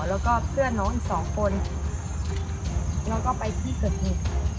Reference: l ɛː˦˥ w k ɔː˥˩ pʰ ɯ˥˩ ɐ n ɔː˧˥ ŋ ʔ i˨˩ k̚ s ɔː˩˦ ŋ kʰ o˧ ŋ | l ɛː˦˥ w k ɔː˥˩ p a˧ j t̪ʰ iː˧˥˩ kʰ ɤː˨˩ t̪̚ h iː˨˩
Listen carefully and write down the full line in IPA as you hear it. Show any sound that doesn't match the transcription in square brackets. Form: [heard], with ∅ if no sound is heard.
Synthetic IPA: l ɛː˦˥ w k ɔː˥˩ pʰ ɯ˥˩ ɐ n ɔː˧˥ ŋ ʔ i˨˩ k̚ s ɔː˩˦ ŋ kʰ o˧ [n] | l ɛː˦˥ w k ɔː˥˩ p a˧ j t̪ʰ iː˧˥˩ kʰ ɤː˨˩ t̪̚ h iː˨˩